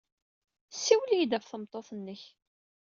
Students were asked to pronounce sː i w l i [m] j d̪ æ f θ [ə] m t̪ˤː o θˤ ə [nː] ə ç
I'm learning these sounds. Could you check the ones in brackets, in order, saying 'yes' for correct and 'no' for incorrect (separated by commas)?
no, yes, yes